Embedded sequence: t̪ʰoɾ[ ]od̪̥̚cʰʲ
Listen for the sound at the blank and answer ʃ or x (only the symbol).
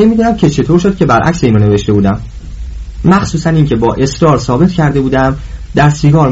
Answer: ʃ